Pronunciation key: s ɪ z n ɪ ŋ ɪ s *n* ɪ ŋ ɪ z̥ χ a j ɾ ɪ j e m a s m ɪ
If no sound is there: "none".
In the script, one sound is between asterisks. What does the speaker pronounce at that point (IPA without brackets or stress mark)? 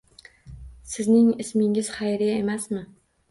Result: m